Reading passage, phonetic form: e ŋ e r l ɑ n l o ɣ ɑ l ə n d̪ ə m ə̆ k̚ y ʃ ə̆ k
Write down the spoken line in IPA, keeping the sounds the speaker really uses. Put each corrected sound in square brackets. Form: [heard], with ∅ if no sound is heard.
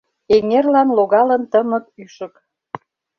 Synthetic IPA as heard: e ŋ e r l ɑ n l o ɣ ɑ l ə n [t̪] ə m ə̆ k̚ y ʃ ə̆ k